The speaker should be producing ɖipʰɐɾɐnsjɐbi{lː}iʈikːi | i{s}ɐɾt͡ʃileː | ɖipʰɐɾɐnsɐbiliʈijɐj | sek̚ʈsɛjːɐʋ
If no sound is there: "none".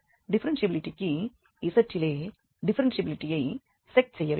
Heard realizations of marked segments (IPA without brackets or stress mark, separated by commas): l, s